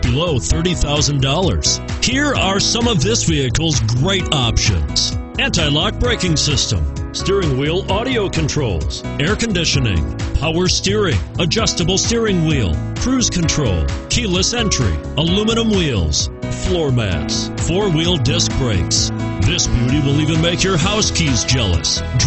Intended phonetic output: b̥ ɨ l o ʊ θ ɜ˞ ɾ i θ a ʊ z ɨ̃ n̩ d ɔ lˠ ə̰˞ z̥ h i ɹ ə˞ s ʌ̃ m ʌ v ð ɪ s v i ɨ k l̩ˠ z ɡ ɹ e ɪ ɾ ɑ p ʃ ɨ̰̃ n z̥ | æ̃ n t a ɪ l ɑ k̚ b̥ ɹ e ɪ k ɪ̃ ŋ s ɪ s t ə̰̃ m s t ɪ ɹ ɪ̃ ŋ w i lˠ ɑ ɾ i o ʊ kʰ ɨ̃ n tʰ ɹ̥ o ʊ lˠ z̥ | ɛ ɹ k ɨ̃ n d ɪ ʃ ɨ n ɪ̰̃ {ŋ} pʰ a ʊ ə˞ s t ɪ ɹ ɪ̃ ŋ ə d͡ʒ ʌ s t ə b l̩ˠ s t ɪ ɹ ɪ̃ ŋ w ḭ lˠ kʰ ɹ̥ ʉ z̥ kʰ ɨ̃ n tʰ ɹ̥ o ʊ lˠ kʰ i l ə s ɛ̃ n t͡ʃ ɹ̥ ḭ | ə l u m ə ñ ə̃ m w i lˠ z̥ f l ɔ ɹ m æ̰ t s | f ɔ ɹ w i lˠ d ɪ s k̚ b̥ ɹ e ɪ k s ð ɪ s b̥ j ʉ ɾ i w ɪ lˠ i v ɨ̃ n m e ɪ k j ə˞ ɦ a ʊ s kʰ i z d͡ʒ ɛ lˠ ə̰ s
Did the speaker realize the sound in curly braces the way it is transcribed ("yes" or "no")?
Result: yes